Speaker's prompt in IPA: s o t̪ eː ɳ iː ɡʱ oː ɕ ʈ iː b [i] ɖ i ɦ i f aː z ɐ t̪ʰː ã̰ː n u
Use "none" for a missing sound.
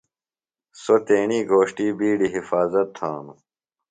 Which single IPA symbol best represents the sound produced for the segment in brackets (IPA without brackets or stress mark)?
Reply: iː